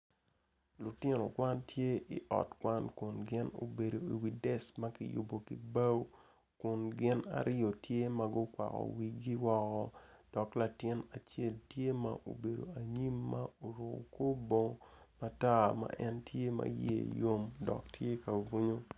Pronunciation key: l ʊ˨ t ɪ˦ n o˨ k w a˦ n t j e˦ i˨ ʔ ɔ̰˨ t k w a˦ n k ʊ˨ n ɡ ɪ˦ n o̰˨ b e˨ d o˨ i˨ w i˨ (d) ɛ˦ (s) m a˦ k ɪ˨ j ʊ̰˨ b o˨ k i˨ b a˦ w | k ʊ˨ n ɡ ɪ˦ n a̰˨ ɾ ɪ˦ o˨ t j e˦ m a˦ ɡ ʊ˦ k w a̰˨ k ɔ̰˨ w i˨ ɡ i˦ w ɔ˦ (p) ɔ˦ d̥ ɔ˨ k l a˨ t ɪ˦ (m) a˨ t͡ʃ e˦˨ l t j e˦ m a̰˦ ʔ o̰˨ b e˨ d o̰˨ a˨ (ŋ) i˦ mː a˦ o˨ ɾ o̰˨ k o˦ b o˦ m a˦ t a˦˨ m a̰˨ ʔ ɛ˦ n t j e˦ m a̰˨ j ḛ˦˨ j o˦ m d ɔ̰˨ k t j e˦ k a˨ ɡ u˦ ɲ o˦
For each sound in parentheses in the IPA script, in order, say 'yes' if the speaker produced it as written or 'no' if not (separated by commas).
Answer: yes, yes, no, no, no